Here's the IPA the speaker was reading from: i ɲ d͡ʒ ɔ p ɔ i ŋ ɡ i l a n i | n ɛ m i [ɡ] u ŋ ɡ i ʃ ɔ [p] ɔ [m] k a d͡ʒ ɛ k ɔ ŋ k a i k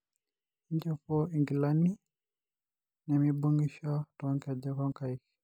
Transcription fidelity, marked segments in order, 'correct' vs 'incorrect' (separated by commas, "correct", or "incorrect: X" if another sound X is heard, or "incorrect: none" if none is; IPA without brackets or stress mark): incorrect: b, incorrect: t, incorrect: ŋ